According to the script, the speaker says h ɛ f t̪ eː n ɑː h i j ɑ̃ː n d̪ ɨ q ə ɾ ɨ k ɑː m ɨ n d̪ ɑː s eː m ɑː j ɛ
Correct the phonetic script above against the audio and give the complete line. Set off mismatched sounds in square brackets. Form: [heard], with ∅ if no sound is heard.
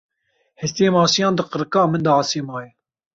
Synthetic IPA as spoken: h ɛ [s] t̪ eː [m] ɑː [s] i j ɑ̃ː n d̪ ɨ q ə ɾ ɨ k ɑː m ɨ n d̪ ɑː s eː m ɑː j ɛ